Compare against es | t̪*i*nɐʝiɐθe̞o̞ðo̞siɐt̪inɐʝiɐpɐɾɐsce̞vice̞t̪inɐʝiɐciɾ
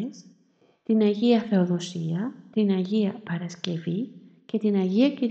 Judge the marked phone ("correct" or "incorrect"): correct